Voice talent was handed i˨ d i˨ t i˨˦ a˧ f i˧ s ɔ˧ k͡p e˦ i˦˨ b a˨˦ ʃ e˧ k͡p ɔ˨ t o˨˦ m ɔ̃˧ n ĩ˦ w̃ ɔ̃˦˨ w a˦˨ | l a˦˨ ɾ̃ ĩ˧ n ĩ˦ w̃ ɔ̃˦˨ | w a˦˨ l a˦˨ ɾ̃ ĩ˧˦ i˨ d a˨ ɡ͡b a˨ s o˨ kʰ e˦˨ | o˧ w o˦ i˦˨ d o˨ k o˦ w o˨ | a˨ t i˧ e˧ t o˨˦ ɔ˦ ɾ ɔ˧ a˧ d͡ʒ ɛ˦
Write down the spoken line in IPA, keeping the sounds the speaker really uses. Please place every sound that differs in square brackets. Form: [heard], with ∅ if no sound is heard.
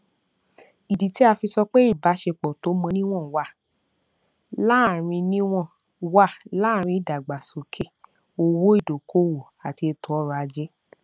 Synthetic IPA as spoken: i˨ d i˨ t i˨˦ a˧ f i˧ s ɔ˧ k͡p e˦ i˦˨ b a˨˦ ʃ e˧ k͡p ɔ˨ t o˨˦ m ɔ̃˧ n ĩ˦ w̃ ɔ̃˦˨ w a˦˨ | l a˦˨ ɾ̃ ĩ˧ n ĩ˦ w̃ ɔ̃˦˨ | w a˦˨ l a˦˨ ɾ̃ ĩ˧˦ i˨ d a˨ ɡ͡b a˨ s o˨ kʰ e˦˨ | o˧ w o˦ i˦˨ d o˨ k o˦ w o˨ | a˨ t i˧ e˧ t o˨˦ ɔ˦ ɾ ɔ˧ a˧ d͡ʒ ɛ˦